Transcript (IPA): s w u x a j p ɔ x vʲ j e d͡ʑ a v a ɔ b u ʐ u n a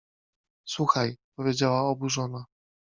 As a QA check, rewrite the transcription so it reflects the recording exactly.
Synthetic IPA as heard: s w u x a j p ɔ vʲ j e d͡ʑ a w a ɔ b u ʐ ɔ n a